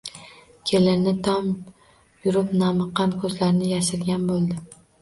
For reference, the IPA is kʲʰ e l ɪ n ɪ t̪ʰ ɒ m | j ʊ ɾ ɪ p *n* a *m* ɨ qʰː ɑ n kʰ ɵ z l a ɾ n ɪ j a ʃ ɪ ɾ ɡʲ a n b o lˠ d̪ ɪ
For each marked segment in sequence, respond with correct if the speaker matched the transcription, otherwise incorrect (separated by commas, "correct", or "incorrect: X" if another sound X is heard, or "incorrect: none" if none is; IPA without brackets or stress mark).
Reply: correct, correct